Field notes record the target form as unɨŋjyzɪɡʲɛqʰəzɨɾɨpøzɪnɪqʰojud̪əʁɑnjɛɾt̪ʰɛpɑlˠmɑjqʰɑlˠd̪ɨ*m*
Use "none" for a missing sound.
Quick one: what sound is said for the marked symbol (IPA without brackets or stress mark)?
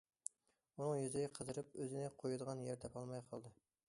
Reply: none